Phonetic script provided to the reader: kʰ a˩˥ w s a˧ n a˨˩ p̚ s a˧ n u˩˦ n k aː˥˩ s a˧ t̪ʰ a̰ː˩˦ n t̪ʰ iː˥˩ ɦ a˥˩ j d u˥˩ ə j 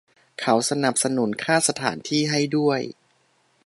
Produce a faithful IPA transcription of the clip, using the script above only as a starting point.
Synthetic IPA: kʰ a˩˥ w s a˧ n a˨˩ p̚ s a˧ n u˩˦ n kʰ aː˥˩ s a˧ t̪ʰ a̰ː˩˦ n t̪ʰ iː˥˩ ɦ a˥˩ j d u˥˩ ə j